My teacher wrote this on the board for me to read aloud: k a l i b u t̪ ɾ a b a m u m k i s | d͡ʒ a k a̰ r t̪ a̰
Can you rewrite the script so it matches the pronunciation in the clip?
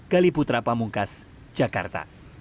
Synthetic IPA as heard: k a l i p u t̪ ɾ a p a m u ŋ k a s | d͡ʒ a k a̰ r t̪ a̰